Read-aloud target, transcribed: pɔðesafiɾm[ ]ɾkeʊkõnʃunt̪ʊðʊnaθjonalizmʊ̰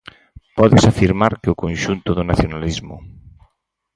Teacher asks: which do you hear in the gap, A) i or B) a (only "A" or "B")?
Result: B